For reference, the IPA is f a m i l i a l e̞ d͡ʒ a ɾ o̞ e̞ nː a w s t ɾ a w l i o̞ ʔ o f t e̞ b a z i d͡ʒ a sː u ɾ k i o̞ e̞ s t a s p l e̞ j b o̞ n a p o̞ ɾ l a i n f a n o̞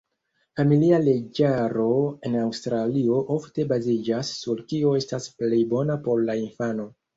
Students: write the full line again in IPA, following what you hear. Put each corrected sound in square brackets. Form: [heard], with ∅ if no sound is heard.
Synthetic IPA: f a m i l i a l e̞ d͡ʒ a ɾ o̞ e̞ [n] a w s t ɾ a [∅] l i o̞ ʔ o f t e̞ b a z i d͡ʒ a sː u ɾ k i o̞ e̞ s t a s p l e̞ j b o̞ n a p o̞ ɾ l a i n f a n o̞